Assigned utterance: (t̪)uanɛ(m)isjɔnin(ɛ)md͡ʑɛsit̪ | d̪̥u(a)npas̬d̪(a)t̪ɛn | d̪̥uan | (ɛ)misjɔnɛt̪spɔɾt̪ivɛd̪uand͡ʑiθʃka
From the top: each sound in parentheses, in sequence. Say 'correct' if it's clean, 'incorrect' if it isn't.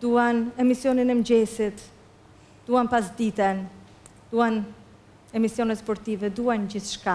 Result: incorrect: d̪, correct, correct, correct, incorrect: i, correct

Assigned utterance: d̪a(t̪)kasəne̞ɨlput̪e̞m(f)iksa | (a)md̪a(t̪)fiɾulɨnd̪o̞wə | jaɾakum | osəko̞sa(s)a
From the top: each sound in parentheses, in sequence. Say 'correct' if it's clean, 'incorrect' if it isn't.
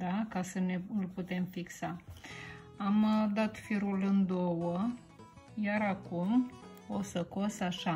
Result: incorrect: none, correct, correct, correct, incorrect: ʃ

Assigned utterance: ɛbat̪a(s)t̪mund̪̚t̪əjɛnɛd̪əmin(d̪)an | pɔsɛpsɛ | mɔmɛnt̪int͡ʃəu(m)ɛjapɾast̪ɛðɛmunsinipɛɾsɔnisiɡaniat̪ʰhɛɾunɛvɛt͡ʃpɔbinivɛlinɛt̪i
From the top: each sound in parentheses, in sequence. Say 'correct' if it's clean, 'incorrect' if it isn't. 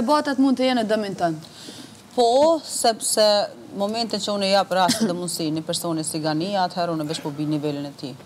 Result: incorrect: none, incorrect: t̪, incorrect: n

